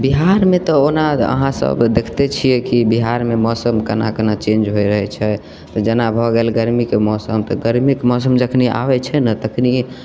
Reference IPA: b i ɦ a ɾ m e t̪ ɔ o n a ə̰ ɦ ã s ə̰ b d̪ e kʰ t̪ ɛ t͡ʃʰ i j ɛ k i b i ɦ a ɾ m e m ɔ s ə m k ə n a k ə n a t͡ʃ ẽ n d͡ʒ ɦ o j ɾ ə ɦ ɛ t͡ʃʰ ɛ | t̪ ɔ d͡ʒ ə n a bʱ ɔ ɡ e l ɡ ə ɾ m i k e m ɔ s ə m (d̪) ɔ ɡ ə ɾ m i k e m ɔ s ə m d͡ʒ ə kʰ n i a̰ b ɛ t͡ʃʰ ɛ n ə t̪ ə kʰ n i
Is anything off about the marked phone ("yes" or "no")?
yes